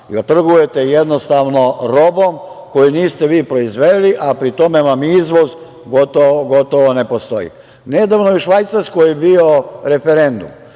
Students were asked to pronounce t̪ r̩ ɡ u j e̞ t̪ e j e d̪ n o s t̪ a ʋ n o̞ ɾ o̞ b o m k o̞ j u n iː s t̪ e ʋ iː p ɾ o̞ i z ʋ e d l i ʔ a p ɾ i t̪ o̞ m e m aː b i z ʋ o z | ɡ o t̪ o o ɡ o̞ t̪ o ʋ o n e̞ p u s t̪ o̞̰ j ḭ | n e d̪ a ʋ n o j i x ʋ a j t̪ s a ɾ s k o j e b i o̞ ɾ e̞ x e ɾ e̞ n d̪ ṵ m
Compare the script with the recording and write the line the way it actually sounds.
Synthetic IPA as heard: t̪ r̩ ɡ u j e̞ t̪ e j e d̪ n o s t̪ a ʋ n o̞ ɾ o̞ b o m k o̞ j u n iː s t̪ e ʋ iː p ɾ o̞ i z ʋ e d l i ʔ a p ɾ i t̪ o̞ m e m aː m i z ʋ o z | ɡ o t̪ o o ɡ o̞ t̪ o ʋ o n e̞ p o s t̪ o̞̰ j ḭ | n e d̪ a ʋ n o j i ʃ ʋ a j t̪ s a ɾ s k o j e b i o̞ ɾ e̞ f e ɾ e̞ n d̪ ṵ m